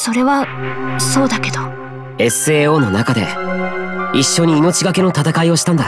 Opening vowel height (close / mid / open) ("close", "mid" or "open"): mid